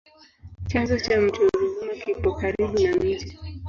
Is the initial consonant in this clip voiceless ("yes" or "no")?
yes